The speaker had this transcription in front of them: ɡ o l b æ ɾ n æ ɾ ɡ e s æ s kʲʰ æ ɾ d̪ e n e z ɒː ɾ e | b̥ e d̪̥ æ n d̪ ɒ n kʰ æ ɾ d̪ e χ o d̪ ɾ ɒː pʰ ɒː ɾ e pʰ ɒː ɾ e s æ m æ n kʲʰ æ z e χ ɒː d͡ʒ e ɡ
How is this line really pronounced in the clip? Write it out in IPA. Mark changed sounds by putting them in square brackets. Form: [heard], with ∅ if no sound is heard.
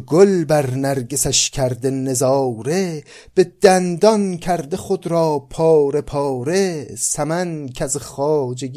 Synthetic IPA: ɡ o l b æ ɾ n æ ɾ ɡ e s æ [ʃ] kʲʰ æ ɾ d̪ e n e z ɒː ɾ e | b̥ e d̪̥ æ n d̪ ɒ n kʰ æ ɾ d̪ e χ o d̪ ɾ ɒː pʰ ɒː ɾ e pʰ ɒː ɾ e s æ m æ n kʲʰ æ z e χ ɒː d͡ʒ e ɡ